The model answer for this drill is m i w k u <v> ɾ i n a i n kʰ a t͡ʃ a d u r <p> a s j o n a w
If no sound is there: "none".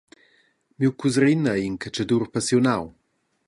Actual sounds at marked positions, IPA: z, p

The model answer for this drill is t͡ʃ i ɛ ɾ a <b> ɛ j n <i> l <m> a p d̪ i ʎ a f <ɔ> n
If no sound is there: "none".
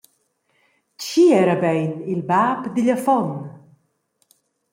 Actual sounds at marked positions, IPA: b, i, b, ɔ

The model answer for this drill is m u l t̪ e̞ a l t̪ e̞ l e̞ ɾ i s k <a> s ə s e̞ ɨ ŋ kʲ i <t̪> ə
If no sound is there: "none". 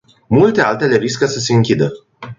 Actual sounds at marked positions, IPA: ə, d̪

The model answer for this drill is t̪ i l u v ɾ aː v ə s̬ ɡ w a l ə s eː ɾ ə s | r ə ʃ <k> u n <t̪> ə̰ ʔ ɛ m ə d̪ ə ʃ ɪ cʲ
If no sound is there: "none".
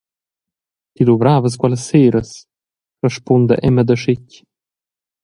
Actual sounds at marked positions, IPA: p, d̪

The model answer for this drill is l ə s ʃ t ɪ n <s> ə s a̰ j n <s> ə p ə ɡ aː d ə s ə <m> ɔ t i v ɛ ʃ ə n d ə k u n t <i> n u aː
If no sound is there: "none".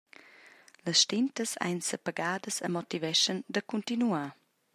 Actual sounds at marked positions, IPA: t, s, m, i

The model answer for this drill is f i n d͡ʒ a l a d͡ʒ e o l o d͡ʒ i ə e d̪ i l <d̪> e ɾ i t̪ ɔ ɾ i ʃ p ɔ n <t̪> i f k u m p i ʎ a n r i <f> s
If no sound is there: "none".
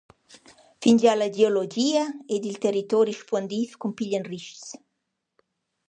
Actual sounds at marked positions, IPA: t̪, d̪, ʃ

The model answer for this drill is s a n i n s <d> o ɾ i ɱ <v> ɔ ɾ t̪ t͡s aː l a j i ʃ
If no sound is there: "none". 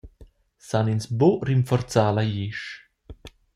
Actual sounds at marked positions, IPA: b, f

